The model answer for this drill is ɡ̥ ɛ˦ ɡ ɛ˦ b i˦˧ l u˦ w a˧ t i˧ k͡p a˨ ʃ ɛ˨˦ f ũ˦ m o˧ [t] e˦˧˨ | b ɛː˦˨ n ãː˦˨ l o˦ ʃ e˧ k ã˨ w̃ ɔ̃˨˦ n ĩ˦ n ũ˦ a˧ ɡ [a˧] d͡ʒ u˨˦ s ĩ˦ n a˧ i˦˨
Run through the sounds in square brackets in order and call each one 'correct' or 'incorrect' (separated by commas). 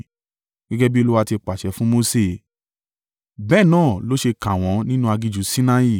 incorrect, incorrect